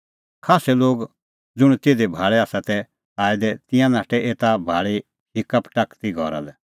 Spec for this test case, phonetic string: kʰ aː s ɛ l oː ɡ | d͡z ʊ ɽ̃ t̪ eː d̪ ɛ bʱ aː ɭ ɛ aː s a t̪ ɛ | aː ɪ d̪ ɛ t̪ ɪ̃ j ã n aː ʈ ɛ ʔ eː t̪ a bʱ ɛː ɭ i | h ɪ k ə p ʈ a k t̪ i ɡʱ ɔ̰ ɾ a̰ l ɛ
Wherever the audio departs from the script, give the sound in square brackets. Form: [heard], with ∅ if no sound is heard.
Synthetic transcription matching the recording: kʰ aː s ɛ l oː ɡ | d͡z ʊ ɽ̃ t̪ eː d̪ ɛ bʱ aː ɭ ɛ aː s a t̪ ɛ | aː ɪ d̪ ɛ t̪ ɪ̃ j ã n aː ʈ ɛ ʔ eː t̪ a bʱ [aː] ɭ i | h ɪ k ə p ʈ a k t̪ i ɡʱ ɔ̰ ɾ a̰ l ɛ